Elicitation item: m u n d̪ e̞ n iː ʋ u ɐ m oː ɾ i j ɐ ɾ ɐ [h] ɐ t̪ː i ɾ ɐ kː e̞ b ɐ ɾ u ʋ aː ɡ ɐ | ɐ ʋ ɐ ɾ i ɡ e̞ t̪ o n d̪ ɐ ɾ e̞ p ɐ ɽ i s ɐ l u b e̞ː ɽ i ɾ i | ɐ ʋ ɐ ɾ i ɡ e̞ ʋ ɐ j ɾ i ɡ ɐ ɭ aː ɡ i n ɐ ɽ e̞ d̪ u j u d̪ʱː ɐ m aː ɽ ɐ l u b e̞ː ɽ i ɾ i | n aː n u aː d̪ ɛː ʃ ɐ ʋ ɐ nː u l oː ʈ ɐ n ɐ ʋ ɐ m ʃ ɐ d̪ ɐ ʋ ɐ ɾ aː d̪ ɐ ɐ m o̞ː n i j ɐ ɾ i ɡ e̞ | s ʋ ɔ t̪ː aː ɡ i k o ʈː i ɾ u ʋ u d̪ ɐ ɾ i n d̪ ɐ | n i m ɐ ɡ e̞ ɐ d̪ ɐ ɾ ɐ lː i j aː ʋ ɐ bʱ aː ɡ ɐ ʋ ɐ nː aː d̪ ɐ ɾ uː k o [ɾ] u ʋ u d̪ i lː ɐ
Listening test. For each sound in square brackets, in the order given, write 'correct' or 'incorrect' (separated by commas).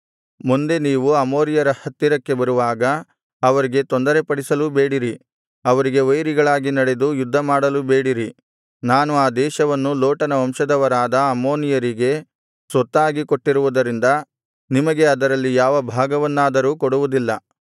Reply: correct, incorrect